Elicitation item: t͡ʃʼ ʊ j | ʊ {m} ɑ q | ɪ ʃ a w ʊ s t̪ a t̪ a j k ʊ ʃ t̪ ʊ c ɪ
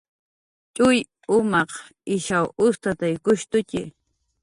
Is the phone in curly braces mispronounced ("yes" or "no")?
no